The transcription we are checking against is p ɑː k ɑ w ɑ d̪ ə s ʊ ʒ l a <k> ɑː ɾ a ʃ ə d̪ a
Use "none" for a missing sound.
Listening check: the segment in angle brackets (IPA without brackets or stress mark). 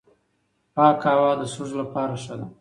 p